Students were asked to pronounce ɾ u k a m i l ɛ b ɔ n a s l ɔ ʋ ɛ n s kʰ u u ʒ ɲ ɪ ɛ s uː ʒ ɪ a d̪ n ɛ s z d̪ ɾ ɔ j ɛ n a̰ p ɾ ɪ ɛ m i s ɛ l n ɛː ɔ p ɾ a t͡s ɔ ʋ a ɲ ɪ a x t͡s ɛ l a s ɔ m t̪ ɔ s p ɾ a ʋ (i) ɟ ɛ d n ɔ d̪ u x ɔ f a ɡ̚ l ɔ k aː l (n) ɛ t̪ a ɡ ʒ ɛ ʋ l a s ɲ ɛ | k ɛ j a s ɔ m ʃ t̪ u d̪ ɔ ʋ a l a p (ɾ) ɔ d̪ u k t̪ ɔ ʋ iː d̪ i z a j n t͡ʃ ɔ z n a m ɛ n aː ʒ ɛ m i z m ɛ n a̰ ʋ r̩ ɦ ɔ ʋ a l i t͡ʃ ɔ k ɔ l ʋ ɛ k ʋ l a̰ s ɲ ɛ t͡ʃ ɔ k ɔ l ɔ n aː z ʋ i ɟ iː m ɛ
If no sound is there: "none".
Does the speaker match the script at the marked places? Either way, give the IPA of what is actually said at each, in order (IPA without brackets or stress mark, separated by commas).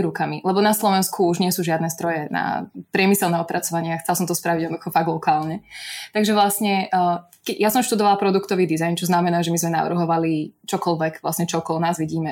i, ɲ, ɾ